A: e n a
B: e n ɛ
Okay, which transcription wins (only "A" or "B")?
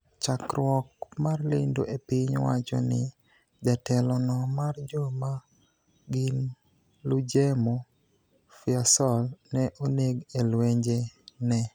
B